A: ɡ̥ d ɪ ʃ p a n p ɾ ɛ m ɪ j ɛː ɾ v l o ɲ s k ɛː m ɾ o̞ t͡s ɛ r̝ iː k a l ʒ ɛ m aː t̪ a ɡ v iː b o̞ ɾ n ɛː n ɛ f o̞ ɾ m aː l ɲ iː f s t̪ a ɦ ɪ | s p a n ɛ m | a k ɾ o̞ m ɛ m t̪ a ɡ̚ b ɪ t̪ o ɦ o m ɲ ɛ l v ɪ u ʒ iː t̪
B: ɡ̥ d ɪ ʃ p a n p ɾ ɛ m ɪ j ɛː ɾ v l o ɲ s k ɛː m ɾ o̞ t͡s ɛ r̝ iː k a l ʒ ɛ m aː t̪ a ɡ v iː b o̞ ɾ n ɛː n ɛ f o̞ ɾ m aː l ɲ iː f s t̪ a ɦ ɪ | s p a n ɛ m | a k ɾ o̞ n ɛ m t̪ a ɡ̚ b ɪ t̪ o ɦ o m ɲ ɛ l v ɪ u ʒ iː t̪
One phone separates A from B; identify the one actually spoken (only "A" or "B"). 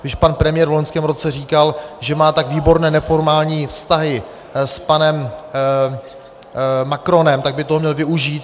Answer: B